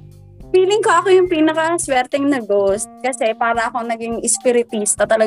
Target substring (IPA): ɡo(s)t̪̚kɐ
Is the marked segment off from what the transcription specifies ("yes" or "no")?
no